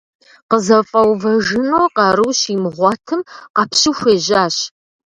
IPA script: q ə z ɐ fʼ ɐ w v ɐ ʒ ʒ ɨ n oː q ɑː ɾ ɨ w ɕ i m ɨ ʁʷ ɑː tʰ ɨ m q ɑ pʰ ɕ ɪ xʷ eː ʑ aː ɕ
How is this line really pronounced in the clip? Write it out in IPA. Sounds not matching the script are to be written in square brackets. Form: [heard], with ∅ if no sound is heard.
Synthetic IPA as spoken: q ə z ɐ fʼ ɐ w v ɐ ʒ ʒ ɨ n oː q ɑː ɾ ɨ w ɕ i m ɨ ʁʷ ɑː tʰ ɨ m q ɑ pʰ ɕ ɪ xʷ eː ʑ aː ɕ